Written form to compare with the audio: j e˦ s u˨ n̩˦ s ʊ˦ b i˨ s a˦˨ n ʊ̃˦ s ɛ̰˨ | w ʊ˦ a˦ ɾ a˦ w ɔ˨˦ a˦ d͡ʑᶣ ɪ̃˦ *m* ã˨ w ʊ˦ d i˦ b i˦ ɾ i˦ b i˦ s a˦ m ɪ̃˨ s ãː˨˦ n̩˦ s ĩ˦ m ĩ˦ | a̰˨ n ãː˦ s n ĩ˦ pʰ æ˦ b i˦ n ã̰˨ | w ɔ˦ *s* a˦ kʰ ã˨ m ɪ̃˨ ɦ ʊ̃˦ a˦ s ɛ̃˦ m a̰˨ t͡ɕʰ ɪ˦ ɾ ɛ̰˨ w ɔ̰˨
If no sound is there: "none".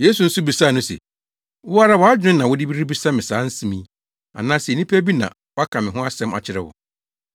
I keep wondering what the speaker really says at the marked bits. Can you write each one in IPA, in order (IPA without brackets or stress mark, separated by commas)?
n, none